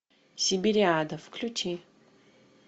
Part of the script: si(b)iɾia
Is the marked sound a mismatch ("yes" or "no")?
no